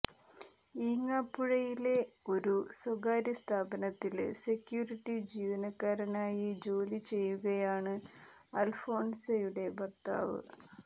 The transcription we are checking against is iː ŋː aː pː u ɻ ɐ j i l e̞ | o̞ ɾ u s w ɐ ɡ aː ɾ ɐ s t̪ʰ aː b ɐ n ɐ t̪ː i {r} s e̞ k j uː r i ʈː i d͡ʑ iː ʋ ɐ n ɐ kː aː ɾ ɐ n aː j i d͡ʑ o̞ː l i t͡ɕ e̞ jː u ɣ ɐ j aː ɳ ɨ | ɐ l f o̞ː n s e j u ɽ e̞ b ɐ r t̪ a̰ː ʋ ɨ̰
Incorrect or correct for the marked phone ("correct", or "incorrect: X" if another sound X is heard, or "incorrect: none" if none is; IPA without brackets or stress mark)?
incorrect: l